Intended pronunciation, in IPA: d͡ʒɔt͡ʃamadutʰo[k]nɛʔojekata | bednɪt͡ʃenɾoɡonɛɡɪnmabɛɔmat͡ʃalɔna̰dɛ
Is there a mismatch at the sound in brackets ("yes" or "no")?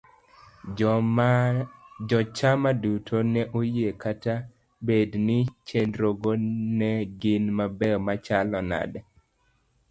yes